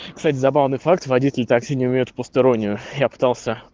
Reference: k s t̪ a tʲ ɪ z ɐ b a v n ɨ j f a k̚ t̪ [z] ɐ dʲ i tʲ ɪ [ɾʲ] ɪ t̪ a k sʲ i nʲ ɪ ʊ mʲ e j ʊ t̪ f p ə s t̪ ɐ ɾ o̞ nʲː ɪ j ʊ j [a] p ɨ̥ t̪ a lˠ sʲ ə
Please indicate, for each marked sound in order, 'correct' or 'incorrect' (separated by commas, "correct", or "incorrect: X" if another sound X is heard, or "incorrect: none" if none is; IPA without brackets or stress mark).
incorrect: v, incorrect: lʲ, correct